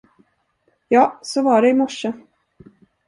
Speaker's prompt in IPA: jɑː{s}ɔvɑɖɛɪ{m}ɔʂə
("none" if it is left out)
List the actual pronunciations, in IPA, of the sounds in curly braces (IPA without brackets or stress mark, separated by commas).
s, m